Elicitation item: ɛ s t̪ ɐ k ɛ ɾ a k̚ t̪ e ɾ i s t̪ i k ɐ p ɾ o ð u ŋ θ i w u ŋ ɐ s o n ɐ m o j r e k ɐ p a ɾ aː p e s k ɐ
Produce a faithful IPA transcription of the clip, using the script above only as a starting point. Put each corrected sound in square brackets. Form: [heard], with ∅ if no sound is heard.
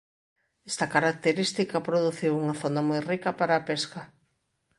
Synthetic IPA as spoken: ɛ s t̪ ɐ k [a] ɾ a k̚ t̪ e ɾ i s t̪ i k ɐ p ɾ o ð u [∅] θ i w u ŋ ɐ [θ] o n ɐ m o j r [i] k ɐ p a ɾ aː p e s k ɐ